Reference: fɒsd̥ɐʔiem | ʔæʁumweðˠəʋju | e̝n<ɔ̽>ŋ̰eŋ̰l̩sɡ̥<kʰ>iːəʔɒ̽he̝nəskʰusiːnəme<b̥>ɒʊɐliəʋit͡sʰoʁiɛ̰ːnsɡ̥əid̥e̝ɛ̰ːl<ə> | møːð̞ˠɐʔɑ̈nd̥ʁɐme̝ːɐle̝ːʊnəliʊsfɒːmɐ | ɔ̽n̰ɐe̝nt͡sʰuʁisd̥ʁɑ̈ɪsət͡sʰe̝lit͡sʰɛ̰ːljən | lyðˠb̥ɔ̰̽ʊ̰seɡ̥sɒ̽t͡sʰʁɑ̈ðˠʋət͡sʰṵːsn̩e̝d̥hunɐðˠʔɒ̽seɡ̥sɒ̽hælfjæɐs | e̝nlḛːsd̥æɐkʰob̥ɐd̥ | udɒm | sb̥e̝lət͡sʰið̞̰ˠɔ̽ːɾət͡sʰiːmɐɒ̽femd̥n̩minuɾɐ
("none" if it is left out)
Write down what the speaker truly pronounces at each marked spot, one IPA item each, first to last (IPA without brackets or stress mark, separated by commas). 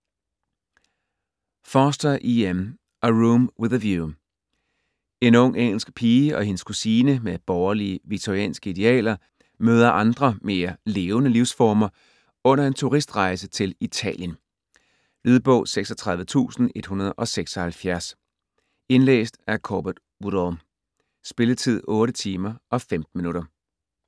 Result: ɔ̽, pʰ, b̥, ɐ